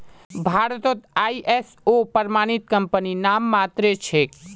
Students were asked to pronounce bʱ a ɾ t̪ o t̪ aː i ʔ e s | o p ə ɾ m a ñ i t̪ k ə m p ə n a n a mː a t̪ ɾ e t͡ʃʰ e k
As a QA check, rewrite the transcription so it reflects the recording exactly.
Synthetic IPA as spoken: bʱ a ɾ t̪ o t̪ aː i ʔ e s | o p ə ɾ m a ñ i t̪ k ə m p ə n i n a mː a t̪ ɾ e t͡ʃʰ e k